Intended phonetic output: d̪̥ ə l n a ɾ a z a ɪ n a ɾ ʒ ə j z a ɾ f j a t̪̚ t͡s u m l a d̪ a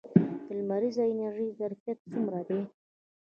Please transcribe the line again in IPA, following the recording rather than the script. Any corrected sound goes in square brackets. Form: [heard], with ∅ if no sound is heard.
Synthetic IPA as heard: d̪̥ ə l [m] a ɾ [i] z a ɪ n a ɾ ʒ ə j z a ɾ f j a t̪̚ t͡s u m [ɾ] a d̪ [e]